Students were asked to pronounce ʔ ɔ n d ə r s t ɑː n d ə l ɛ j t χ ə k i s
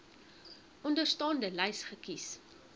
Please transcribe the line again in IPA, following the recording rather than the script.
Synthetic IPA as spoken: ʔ ɔ n d ə r s t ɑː n d ə l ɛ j s χ ə k i s